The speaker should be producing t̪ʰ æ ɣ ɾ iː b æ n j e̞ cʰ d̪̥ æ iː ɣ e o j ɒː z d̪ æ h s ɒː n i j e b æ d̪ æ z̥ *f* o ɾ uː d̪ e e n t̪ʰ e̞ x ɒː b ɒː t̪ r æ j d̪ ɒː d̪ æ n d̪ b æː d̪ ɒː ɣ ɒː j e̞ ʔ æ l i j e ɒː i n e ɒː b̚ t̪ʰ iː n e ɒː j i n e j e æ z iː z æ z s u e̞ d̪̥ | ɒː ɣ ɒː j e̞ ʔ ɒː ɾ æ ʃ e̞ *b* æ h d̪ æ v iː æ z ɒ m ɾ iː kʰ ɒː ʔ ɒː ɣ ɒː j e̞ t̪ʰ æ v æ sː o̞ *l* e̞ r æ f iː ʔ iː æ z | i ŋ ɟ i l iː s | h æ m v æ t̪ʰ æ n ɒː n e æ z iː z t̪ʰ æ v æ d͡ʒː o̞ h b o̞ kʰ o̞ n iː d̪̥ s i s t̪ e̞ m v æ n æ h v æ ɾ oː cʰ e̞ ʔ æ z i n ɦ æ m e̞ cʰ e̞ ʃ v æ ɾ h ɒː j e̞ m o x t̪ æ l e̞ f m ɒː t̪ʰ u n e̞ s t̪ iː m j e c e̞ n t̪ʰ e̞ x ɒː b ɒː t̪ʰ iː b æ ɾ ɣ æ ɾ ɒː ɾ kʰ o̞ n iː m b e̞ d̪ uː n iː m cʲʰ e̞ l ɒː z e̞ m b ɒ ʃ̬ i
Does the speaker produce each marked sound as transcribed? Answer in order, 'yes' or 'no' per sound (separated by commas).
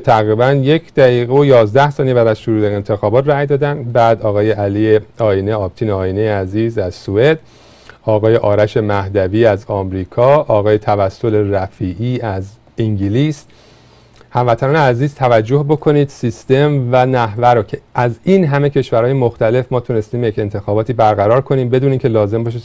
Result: no, no, yes